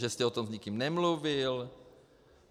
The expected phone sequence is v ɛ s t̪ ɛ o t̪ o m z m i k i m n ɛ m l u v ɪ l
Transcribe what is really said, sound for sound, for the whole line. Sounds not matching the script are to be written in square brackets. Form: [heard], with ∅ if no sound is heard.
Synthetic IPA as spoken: [ʒ] ɛ s t̪ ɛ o t̪ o m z [ɲ] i k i m n ɛ m l u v ɪ l